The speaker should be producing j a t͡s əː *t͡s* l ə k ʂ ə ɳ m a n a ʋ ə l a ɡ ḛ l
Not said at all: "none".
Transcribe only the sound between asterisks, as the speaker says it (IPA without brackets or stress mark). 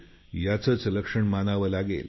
t͡s